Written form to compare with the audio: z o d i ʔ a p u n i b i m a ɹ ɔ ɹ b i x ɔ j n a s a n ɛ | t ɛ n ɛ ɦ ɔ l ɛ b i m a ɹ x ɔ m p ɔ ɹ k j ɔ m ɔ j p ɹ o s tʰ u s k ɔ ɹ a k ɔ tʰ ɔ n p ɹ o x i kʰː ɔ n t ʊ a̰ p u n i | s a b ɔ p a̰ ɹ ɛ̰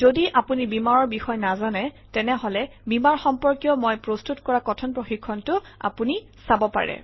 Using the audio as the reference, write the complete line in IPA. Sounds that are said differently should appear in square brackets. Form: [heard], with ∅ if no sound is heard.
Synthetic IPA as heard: z o d i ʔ a p u n i b i m a ɹ ɔ ɹ b i x ɔ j n a [z] a n ɛ | t ɛ n ɛ ɦ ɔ l ɛ b i m a ɹ x ɔ m p ɔ ɹ k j ɔ m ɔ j p ɹ o s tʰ u [t] k ɔ ɹ a k ɔ tʰ ɔ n p ɹ o x i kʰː ɔ n t ʊ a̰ p u n i | s a b ɔ p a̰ ɹ ɛ̰